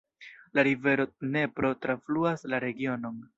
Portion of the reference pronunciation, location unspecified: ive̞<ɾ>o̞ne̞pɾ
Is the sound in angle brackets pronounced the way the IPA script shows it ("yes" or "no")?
yes